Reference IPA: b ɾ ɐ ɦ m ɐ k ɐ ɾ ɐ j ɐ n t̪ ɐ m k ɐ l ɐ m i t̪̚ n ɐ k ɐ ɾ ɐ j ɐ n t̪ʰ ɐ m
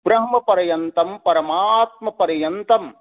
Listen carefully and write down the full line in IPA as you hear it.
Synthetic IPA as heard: b ɾ ɐ ɦ m ɐ p ɐ ɾ ɐ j ɐ n t̪ ɐ m p ɐ ɾ ɐ m a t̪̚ m ɐ p ɐ ɾ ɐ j ɐ n t̪ ɐ m